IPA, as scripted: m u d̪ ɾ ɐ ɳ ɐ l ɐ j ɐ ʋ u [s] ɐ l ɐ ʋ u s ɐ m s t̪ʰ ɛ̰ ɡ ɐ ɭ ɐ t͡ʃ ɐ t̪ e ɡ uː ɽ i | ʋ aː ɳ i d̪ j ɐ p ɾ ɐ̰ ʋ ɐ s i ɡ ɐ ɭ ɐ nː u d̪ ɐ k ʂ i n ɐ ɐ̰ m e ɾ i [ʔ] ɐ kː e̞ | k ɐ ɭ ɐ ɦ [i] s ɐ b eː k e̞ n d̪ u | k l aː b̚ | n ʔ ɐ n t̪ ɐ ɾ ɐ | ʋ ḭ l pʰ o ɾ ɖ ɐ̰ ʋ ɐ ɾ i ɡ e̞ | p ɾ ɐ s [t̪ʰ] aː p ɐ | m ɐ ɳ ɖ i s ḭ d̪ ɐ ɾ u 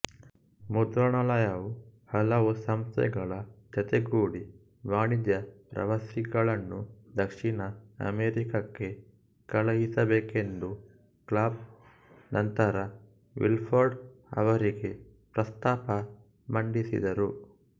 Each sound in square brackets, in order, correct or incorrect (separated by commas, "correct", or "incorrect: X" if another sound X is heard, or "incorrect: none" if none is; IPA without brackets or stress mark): incorrect: h, incorrect: k, correct, incorrect: t̪